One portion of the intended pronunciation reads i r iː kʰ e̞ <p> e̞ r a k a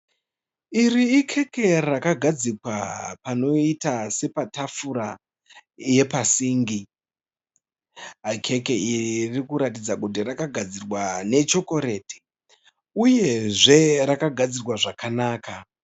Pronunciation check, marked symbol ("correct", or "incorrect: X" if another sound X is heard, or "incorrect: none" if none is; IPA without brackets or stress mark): incorrect: k